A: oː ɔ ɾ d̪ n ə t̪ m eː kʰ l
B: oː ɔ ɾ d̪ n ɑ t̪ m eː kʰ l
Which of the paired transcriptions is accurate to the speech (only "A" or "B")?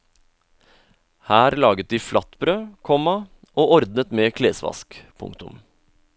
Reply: A